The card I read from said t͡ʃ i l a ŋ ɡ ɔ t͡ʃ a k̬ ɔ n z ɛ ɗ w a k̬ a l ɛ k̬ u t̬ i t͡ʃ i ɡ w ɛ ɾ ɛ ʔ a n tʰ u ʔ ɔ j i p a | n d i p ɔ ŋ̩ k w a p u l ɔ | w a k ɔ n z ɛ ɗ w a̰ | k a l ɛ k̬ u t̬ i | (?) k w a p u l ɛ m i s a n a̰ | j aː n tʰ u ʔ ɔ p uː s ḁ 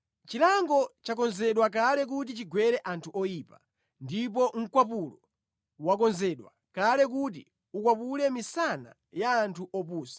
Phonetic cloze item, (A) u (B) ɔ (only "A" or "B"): A